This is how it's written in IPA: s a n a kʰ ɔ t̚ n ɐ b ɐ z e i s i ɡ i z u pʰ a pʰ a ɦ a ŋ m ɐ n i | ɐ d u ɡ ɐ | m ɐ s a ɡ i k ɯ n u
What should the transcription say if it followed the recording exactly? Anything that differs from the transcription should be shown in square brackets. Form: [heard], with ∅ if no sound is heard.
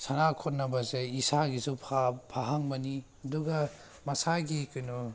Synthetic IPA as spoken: s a n a kʰ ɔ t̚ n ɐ b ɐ z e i s [a] ɡ i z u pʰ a pʰ a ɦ a ŋ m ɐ n i | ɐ d u ɡ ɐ | m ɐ s a ɡ i k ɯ n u